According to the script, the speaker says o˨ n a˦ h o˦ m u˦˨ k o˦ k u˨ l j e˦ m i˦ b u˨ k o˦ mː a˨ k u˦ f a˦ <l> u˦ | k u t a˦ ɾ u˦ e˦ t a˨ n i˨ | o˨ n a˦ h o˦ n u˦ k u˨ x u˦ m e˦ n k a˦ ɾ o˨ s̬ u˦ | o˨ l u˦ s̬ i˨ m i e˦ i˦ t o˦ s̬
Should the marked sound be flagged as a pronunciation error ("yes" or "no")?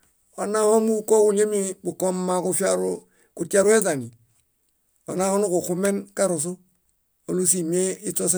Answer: yes